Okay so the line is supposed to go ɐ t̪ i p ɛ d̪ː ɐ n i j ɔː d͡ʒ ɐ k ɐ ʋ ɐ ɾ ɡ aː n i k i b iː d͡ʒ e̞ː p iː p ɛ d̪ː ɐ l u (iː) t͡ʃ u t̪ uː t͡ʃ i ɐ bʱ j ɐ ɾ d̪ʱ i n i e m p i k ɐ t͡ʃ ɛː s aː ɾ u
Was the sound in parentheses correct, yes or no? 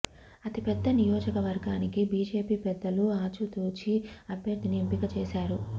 no